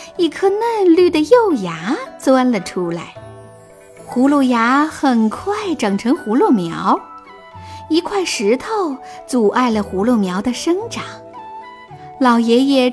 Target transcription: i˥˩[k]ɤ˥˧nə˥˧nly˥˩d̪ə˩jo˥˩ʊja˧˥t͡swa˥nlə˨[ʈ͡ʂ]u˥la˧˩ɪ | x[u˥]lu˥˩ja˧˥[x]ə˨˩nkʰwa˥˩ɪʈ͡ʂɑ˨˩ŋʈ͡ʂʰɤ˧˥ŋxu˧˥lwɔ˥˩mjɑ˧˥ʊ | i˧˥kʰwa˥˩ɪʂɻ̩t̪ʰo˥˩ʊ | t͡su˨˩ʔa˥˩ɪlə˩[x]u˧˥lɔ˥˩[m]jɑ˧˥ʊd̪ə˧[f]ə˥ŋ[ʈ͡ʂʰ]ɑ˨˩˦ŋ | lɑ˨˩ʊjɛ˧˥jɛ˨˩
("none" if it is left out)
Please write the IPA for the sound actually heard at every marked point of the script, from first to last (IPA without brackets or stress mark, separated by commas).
kʰ, ʈ͡ʂʰ, u˧˥, x, x, m, ʂ, ʈ͡ʂ